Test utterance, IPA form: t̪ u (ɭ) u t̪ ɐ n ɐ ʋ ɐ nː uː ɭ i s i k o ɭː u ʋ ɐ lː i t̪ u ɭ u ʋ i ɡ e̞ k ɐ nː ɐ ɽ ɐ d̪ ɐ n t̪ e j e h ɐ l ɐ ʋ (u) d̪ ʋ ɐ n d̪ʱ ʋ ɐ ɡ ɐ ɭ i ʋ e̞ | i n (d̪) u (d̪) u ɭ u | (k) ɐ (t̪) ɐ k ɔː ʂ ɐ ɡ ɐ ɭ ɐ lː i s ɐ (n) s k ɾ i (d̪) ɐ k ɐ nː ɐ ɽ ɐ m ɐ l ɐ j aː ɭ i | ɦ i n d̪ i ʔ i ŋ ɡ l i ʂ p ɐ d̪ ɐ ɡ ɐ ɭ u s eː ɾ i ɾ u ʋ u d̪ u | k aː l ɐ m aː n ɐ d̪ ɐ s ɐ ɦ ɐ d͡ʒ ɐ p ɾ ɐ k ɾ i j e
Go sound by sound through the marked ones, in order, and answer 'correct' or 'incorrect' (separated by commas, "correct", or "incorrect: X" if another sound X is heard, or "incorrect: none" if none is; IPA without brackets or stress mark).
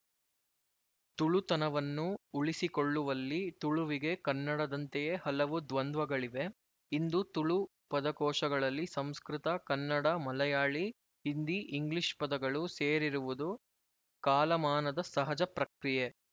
correct, correct, correct, incorrect: t̪, incorrect: p, incorrect: d̪, incorrect: m, incorrect: t̪